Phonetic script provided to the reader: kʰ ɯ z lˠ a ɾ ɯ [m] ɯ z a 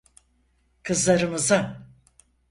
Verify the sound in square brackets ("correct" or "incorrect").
correct